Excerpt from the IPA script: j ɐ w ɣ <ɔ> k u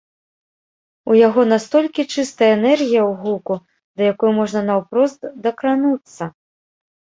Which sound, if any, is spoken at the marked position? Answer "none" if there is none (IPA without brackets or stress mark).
u